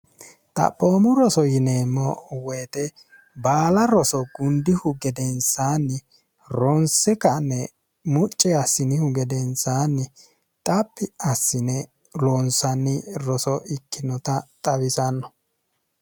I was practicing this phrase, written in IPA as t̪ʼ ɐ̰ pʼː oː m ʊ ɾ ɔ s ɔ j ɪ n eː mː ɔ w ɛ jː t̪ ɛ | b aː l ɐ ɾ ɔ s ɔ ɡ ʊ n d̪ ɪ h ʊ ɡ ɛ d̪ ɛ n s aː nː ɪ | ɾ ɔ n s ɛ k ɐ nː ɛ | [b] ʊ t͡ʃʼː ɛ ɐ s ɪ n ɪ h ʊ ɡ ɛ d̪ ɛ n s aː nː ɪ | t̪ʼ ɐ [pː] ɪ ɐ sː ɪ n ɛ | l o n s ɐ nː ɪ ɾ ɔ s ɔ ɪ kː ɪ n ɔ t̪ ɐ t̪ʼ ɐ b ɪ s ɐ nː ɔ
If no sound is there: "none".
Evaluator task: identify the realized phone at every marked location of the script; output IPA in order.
m, pː

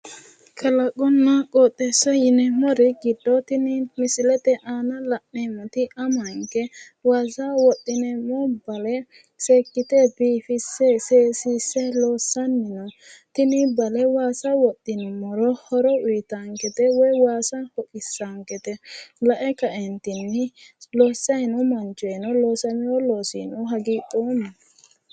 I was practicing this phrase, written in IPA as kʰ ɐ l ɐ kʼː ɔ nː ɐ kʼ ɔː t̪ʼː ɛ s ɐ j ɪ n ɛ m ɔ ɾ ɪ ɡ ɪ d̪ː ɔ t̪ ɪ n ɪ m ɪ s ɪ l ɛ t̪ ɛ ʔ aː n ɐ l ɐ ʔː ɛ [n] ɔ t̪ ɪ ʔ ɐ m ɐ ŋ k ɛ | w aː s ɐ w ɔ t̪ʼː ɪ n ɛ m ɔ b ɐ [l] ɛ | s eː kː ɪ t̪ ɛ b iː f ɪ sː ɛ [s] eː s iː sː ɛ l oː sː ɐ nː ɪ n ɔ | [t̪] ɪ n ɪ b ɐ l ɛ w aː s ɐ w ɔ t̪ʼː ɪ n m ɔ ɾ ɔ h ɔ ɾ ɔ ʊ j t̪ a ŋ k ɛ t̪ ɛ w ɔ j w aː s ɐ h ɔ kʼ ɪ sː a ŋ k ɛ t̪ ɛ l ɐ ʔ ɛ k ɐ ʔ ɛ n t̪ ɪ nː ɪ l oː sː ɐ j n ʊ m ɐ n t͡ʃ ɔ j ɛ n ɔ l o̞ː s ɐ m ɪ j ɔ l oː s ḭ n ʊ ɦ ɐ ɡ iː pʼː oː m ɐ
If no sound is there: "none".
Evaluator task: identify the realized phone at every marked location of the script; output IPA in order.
m, l, s, t̪

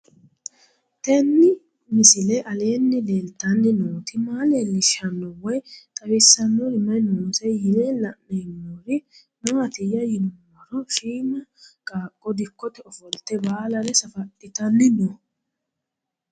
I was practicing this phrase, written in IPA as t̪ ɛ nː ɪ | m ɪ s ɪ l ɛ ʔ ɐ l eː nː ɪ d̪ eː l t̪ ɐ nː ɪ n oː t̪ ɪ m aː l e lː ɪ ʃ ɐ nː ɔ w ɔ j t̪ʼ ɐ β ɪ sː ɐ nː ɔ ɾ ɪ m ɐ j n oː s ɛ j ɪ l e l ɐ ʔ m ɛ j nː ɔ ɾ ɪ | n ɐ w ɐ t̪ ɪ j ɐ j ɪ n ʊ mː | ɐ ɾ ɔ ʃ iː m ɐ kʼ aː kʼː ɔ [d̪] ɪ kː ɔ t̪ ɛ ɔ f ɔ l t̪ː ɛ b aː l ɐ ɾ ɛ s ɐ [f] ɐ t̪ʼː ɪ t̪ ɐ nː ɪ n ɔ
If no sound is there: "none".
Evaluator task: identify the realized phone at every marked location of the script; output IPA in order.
d̪, f

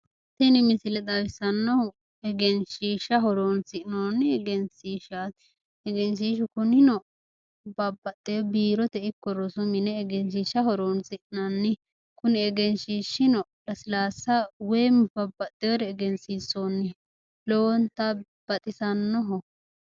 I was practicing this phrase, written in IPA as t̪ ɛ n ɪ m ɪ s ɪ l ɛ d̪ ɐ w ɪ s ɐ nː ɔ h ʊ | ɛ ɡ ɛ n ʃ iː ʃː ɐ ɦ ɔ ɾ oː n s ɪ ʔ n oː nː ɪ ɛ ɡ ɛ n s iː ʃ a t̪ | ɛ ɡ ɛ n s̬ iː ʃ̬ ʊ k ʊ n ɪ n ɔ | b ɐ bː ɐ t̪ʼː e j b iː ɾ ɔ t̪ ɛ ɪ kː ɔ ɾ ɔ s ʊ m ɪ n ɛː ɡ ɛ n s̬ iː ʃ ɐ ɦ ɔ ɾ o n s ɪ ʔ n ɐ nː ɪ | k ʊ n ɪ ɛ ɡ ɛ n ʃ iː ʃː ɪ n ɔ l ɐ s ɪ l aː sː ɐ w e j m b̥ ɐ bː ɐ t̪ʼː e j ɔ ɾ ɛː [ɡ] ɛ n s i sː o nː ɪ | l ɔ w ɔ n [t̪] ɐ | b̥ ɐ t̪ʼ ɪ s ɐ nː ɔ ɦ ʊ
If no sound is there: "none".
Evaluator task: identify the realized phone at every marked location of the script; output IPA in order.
ɡ, t̪

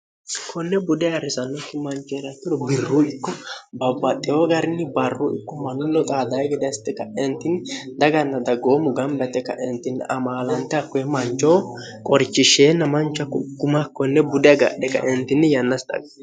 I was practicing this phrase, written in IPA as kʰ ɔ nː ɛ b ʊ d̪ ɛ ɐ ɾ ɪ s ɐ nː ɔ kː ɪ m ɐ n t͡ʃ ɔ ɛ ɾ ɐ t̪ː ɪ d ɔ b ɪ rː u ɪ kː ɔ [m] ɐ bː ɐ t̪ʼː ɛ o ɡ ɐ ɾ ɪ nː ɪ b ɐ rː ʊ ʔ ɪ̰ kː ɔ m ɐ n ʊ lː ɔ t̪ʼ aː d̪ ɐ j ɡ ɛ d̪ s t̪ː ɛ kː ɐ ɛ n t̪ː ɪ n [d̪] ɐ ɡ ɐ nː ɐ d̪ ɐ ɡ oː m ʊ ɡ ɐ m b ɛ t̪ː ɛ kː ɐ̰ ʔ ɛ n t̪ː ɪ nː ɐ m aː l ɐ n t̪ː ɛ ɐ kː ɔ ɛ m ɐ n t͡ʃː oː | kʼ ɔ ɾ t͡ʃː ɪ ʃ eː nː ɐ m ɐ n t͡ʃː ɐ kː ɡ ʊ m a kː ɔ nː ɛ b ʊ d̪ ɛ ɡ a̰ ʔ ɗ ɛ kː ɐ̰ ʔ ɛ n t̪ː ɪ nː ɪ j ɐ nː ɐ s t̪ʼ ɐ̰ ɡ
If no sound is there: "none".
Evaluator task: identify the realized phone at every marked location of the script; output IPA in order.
b, d̪

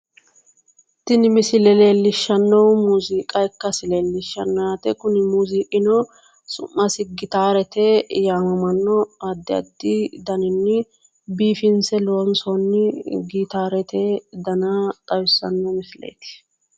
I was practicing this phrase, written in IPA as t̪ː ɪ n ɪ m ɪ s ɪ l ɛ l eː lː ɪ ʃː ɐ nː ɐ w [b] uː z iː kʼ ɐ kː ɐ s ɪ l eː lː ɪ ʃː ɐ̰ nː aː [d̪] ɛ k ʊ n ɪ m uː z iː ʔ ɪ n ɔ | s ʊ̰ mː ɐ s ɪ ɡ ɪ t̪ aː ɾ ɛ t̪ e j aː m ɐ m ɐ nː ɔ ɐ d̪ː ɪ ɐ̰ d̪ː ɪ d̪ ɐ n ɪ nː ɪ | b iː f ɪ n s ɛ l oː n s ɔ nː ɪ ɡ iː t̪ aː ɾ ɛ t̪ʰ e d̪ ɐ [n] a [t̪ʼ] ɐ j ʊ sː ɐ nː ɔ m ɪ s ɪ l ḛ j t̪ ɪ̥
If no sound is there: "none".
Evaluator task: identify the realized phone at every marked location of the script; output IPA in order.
m, t̪, n, t̪ʼ

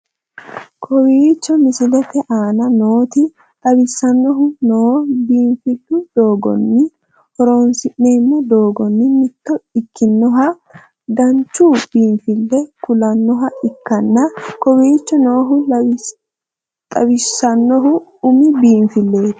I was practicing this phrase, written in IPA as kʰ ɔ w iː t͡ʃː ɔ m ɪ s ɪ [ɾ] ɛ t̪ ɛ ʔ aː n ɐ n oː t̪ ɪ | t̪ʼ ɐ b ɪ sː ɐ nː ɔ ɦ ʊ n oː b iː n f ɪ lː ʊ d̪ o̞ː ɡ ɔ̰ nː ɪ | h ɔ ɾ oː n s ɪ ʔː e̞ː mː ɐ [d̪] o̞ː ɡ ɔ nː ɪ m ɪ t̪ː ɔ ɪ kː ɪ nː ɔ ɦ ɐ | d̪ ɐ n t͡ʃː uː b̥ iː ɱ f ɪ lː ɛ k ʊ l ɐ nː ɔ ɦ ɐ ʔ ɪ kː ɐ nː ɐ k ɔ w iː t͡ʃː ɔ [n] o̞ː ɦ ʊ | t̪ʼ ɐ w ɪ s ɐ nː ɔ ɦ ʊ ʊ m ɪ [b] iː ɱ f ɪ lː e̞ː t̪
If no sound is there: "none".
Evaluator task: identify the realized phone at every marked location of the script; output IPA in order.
l, d̪, n, b

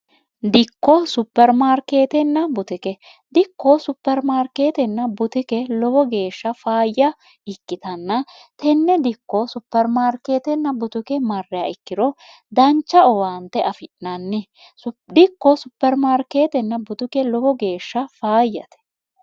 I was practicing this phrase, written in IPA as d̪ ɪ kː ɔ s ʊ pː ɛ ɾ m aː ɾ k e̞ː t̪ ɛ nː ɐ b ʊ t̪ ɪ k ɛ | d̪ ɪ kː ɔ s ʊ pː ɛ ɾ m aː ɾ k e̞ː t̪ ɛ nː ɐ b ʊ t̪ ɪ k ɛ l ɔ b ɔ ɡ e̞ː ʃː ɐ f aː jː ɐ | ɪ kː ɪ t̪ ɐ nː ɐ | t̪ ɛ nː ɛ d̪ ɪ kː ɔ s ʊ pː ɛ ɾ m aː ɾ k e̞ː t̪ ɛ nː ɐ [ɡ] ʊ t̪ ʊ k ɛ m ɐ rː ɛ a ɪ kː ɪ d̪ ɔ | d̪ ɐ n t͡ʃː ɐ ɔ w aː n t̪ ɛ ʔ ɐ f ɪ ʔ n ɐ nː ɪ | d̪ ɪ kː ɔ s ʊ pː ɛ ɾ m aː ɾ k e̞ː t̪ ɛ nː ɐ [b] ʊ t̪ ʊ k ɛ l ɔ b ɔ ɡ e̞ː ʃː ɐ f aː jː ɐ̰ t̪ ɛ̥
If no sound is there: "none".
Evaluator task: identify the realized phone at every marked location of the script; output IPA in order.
b, b

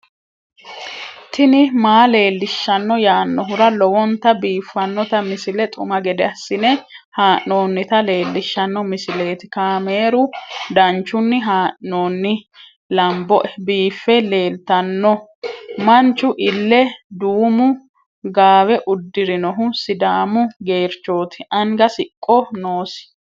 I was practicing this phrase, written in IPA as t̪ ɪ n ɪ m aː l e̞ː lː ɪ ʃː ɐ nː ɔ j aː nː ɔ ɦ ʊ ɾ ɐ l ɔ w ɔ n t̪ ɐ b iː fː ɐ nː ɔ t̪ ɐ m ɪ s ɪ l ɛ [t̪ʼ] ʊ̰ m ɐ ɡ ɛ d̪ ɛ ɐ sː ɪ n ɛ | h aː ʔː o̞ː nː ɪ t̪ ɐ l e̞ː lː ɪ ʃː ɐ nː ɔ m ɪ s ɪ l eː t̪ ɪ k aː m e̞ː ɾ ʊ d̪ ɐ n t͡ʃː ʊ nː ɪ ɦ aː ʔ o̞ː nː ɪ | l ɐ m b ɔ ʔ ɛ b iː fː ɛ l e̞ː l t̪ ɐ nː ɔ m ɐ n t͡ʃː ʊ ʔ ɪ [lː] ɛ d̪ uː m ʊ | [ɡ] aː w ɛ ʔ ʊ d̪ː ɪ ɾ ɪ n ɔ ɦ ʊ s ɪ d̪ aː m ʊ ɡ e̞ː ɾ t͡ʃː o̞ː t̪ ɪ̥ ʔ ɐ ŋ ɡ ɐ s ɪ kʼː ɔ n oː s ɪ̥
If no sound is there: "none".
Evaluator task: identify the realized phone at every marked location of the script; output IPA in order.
t̪ʼ, lː, ɡ

